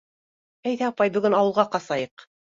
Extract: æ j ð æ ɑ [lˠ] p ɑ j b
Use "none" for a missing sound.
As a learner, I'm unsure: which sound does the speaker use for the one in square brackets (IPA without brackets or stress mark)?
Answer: none